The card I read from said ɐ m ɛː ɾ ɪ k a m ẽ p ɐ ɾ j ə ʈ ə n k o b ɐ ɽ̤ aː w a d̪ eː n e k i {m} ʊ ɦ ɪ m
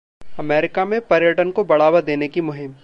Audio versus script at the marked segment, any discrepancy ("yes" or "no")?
no